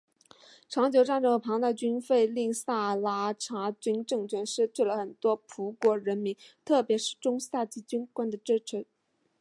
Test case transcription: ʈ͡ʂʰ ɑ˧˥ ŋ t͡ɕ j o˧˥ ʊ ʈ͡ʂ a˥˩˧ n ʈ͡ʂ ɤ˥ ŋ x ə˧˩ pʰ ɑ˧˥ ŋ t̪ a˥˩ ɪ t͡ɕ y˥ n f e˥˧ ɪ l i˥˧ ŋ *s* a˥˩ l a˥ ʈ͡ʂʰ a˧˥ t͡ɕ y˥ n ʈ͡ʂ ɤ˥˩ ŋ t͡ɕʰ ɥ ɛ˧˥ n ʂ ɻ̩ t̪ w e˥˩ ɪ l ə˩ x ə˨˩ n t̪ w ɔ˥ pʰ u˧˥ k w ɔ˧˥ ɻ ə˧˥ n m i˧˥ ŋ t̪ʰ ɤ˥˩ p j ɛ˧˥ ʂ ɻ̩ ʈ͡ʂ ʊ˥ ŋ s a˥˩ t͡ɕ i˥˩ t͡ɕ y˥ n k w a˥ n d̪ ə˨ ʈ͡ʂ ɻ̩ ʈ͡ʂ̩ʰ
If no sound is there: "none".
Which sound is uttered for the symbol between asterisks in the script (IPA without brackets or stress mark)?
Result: s